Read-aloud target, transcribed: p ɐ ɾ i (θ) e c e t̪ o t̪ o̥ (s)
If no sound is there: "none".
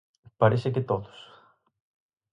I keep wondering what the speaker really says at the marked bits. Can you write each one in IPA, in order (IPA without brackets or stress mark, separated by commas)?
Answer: s, s